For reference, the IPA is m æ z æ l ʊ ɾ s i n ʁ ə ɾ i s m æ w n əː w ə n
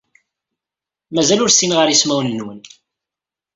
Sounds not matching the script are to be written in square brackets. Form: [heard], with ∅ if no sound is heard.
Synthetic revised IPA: m æ z æ l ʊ ɾ s i n ʁ ə ɾ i s m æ w n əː w ə n